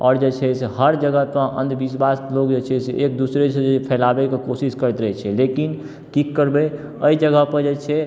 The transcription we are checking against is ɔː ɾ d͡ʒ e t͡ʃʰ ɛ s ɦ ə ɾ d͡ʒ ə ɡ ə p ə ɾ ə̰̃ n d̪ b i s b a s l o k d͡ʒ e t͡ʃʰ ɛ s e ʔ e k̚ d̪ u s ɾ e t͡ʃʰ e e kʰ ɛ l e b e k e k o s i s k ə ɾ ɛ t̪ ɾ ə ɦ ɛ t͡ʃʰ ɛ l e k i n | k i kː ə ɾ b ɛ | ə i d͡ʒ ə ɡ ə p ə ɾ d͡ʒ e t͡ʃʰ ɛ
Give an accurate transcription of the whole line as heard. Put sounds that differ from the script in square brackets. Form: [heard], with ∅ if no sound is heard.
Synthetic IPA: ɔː ɾ d͡ʒ e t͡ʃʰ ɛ s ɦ ə ɾ d͡ʒ ə ɡ ə p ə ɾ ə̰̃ n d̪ b i s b a s l o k d͡ʒ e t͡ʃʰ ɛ s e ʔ e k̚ d̪ u s ɾ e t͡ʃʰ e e [pʰ] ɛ l [a] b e k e k o s i s k ə ɾ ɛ t̪ ɾ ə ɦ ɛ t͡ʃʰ ɛ l e k i n | k i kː ə ɾ b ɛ | ə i d͡ʒ ə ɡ ə p ə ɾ d͡ʒ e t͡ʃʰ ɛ